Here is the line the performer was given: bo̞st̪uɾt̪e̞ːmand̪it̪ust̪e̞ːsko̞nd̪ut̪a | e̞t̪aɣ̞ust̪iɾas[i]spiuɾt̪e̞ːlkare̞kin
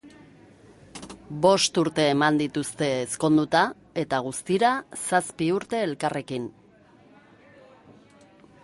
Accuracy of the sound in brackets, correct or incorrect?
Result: incorrect